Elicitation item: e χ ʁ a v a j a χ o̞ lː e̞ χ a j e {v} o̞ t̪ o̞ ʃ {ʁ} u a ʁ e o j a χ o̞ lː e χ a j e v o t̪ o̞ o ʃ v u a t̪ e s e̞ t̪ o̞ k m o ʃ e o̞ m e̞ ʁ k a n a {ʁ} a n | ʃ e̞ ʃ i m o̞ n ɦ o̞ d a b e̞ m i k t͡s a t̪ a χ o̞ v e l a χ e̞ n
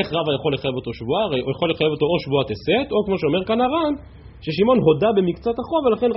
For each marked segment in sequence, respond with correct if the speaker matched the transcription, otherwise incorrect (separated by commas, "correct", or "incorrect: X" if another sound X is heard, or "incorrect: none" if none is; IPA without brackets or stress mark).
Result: correct, incorrect: v, correct